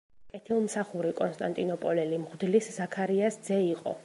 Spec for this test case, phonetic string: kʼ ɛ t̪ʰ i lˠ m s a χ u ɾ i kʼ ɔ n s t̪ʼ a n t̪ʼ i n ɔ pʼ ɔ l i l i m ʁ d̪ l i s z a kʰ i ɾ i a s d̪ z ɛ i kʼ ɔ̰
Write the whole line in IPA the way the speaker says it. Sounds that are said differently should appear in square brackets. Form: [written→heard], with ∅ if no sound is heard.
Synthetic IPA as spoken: kʼ ɛ t̪ʰ i lˠ m s a χ u ɾ i kʼ ɔ n s t̪ʼ a n t̪ʼ i n ɔ pʼ ɔ l [i→ɛ] l i m ʁ d̪ l i s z a kʰ [i→a] ɾ i a s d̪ z ɛ i [kʼ→qʼ] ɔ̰

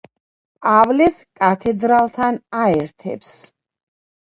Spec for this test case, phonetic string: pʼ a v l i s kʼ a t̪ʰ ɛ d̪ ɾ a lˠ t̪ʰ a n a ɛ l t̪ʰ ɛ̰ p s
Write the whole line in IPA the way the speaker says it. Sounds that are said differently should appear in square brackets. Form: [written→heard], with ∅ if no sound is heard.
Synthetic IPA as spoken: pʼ a v l [i→ɛ] s kʼ a t̪ʰ ɛ d̪ ɾ a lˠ t̪ʰ a n a ɛ [l→ɾ] t̪ʰ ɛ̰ p s

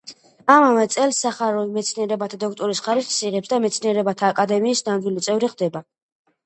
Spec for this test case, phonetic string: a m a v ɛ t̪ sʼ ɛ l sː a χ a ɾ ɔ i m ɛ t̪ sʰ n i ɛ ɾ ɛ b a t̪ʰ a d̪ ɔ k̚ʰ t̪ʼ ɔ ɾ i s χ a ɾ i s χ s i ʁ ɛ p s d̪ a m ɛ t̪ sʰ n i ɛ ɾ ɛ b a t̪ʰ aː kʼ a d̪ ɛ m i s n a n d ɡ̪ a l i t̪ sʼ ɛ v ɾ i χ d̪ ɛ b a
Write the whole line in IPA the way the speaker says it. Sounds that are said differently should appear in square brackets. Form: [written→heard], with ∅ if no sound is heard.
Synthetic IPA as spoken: a m a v ɛ t̪ sʼ ɛ l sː a χ a ɾ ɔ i m ɛ t̪ sʰ n i ɛ ɾ ɛ b a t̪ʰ a d̪ ɔ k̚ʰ t̪ʼ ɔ ɾ i s χ a ɾ i s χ s i ʁ ɛ p s d̪ a m ɛ t̪ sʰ n i ɛ ɾ ɛ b a t̪ʰ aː kʼ a d̪ ɛ m [i→iː] s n a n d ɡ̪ [a→i] l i t̪ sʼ ɛ v ɾ i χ d̪ ɛ b a

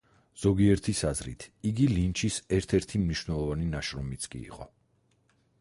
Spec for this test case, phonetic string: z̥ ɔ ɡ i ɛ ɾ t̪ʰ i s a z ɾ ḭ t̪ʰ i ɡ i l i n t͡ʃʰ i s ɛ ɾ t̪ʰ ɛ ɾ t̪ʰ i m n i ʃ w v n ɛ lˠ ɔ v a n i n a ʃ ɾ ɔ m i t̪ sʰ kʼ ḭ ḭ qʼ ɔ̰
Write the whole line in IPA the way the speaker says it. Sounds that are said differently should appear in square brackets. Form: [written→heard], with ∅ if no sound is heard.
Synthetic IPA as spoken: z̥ ɔ ɡ i ɛ ɾ t̪ʰ i s a z ɾ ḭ t̪ʰ i ɡ i l i n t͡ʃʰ i s ɛ ɾ t̪ʰ ɛ ɾ t̪ʰ i m n i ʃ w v n ɛ lˠ ɔ v a n i n a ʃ ɾ ɔ m i t̪ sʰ kʼ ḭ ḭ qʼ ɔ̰

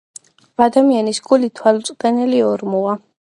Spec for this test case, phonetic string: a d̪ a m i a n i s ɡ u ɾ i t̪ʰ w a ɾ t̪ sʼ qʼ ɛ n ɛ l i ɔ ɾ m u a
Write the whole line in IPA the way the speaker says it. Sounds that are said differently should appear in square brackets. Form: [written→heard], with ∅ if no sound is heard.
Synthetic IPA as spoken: a d̪ a m i a n i s ɡ u [ɾ→l] i t̪ʰ w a [ɾ→l] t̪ sʼ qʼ ɛ n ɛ l i ɔ ɾ m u a

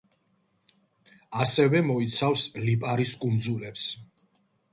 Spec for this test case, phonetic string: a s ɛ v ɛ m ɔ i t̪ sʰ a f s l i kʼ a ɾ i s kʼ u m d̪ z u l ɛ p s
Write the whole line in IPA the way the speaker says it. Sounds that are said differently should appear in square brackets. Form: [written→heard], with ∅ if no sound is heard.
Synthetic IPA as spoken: a s ɛ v ɛ m ɔ i t̪ sʰ a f s l i [kʼ→pʼ] a ɾ i s kʼ u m d̪ z u l ɛ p s

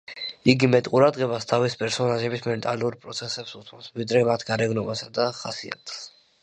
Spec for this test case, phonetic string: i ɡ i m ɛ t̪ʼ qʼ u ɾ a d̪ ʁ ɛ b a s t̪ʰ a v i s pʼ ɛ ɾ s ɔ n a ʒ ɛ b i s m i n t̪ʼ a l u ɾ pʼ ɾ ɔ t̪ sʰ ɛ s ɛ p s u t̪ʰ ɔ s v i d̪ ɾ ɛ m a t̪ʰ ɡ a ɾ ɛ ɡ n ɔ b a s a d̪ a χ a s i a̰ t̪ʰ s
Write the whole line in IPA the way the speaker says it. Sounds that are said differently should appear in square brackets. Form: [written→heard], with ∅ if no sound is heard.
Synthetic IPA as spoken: i ɡ i m ɛ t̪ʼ qʼ u ɾ a d̪ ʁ ɛ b a s t̪ʰ a v i s pʼ ɛ ɾ s ɔ n a ʒ ɛ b i s m [i→ɛ] n t̪ʼ a l u ɾ pʼ ɾ ɔ t̪ sʰ ɛ s ɛ p s u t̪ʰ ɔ s v i d̪ ɾ ɛ m a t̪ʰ ɡ a ɾ ɛ ɡ n ɔ b a s a d̪ a χ a s i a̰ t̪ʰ s

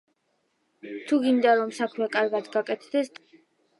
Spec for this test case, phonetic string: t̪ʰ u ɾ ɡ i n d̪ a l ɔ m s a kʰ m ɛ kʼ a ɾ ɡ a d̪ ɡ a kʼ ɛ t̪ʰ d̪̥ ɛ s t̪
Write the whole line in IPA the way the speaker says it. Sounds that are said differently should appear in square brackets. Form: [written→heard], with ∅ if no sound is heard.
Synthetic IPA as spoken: t̪ʰ u [ɾ→∅] ɡ i n d̪ a [l→ɾ] ɔ m s a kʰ m ɛ kʼ a ɾ ɡ a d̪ ɡ a kʼ ɛ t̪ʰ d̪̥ ɛ s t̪

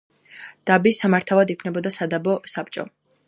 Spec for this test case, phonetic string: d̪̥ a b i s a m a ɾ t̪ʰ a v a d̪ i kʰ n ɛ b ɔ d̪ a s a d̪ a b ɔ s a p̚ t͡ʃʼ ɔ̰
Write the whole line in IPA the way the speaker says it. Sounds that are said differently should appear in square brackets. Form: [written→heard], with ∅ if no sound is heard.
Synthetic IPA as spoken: d̪̥ a b i s a m a ɾ t̪ʰ a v a d̪ i kʰ n ɛ b ɔ d̪ a s a d̪ a b ɔ s a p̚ t͡ʃʼ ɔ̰

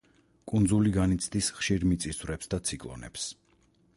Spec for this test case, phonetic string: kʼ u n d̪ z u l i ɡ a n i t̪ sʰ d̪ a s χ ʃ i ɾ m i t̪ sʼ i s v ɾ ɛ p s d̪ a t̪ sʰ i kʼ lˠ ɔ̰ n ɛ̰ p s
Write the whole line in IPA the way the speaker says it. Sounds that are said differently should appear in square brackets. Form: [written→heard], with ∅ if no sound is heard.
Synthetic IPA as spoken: kʼ u n d̪ z u l i ɡ a n i t̪ sʰ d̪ [a→i] s χ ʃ i ɾ m i t̪ sʼ i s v ɾ ɛ p s d̪ a t̪ sʰ i kʼ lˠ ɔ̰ n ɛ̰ p s

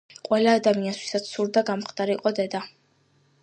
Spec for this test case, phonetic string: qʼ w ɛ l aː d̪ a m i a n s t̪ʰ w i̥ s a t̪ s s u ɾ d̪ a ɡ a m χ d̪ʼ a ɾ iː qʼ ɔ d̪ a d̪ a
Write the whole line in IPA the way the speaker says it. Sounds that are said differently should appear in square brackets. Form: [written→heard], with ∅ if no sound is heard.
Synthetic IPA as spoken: qʼ w ɛ l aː d̪ a m i a n s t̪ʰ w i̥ s a t̪ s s u ɾ d̪ a ɡ a m χ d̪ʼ a ɾ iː qʼ ɔ d̪ [a→ɛ] d̪ a

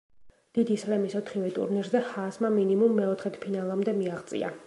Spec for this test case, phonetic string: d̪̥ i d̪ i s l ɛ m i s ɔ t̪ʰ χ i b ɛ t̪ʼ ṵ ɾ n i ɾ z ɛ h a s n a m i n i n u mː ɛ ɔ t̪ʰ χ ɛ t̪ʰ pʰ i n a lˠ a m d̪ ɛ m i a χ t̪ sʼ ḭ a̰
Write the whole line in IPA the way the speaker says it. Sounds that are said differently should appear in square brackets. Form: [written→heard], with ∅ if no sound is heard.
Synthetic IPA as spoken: d̪̥ i d̪ i s l ɛ m i s ɔ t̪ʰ χ i [b→v] ɛ t̪ʼ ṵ ɾ n i ɾ z ɛ h a s [n→m] a m i n i [n→m] u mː ɛ ɔ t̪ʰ χ ɛ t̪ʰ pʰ i n a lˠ a m d̪ ɛ m i a [χ→ʁ] t̪ sʼ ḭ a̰

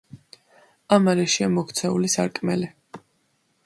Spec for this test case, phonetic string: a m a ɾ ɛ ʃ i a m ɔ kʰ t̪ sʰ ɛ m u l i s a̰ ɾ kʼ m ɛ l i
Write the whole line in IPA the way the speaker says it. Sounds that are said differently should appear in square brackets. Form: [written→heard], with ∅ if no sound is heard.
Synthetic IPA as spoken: a m a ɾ ɛ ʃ i a m ɔ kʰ t̪ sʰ ɛ [m→∅] u l i s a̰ ɾ kʼ m ɛ l i

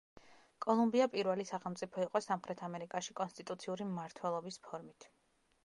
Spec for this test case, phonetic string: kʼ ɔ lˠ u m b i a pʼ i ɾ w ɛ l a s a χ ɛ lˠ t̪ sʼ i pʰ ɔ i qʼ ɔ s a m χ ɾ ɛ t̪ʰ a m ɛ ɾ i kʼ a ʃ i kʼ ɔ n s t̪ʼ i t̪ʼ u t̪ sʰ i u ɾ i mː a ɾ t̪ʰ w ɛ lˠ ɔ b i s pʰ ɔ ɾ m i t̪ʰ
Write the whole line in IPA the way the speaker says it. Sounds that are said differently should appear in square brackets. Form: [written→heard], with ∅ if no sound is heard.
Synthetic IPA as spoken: kʼ ɔ lˠ u m b i a pʼ i ɾ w ɛ l [a→i] s a χ ɛ lˠ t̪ sʼ i pʰ ɔ i qʼ ɔ s a m χ ɾ ɛ t̪ʰ a m ɛ ɾ i kʼ a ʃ i kʼ ɔ n s t̪ʼ i t̪ʼ u t̪ sʰ i u ɾ i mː a ɾ t̪ʰ w ɛ lˠ ɔ b i s pʰ ɔ ɾ m i t̪ʰ

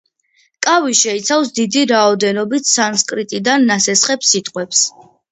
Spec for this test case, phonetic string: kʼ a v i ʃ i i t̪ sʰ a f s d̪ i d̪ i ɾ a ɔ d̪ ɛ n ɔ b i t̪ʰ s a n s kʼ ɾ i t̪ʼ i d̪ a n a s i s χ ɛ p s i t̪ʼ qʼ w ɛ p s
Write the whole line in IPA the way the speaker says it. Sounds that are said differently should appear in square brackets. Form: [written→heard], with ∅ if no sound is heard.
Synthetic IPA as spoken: kʼ a v i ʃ [i→ɛ] i t̪ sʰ a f s d̪ i d̪ i ɾ a ɔ d̪ ɛ n ɔ b i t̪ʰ s a n s kʼ ɾ i t̪ʼ i d̪ a [n→nː] a s [i→ɛ] s χ ɛ p s i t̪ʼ qʼ w ɛ p s

